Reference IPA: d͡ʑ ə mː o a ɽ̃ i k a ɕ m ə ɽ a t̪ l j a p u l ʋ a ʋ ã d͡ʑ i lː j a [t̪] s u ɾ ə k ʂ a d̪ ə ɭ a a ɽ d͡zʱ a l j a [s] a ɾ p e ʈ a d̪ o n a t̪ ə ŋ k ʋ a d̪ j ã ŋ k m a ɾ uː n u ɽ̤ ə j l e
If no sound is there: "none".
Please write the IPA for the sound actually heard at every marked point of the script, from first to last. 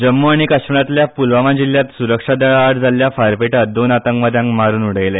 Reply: t̪, f

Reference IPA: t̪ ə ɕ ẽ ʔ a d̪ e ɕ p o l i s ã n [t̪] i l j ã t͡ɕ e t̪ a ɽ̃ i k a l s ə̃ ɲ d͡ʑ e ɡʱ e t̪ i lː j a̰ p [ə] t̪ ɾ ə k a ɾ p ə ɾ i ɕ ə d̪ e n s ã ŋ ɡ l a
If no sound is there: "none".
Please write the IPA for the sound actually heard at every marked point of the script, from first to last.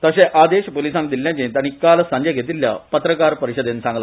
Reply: d̪, ə

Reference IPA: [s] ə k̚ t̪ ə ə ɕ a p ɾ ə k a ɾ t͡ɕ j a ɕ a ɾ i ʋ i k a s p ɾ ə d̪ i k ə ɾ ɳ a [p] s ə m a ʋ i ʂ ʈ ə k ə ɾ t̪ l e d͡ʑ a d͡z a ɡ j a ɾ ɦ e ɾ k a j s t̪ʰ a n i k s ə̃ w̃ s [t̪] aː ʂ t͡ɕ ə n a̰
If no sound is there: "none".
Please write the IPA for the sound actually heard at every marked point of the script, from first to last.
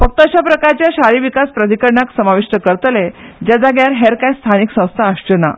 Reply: f, k, t̪ʰ

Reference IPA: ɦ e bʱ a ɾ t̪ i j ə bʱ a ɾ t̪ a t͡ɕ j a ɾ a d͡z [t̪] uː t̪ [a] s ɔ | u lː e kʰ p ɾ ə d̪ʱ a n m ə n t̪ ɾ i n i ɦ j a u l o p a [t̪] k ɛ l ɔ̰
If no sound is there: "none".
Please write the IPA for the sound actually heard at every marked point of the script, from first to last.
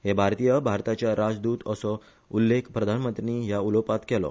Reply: d̪, ə, t̪

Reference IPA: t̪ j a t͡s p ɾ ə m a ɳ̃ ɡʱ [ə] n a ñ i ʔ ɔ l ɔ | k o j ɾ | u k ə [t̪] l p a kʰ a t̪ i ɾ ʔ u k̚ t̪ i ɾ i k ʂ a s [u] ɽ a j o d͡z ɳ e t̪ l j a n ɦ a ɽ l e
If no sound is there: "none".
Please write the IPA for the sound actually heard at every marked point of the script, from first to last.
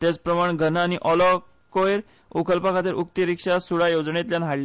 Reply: ə, none, u

